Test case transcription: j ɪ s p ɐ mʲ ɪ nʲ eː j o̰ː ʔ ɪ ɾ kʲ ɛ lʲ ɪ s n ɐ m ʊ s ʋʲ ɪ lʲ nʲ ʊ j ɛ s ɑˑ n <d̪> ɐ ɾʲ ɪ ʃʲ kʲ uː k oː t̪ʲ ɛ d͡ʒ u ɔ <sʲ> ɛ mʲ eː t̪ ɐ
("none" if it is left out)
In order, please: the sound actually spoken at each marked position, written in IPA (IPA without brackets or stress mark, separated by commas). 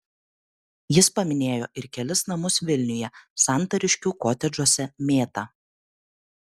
t̪, sʲ